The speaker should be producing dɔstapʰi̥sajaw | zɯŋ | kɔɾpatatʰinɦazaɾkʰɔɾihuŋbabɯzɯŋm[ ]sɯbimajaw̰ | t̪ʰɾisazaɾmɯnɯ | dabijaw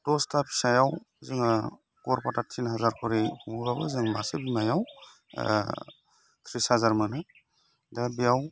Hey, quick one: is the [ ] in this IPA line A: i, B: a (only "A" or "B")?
B